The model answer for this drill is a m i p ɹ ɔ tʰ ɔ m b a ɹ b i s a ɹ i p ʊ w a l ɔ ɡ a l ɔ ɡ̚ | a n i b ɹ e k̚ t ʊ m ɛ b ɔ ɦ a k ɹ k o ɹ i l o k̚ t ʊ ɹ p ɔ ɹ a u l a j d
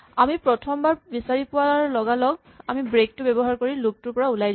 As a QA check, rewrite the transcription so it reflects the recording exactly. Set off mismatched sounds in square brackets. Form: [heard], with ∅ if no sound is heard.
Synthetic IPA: a m i p ɹ ɔ tʰ ɔ m b a ɹ b i s a ɹ i p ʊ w a l ɔ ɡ a l ɔ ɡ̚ | a [m] i b ɹ e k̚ t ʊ [b] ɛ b ɔ ɦ a [∅] ɹ k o ɹ i l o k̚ t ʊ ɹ p ɔ ɹ a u l a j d